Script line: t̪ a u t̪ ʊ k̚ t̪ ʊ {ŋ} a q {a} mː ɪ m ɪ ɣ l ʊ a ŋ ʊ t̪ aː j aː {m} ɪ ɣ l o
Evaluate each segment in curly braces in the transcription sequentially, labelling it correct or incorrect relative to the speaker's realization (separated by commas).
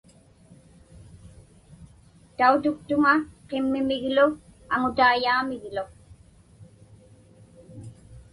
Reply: correct, incorrect, correct